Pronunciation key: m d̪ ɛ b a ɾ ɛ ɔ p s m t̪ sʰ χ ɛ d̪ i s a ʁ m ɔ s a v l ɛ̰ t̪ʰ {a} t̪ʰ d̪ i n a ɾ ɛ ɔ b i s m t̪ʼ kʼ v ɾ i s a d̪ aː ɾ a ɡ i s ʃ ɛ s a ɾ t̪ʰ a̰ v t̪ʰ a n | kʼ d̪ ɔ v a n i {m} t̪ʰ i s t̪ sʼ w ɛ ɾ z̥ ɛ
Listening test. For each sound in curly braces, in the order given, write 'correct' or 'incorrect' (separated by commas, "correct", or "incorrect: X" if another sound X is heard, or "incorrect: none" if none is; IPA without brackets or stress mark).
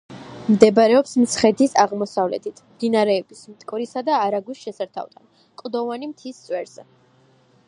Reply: incorrect: i, correct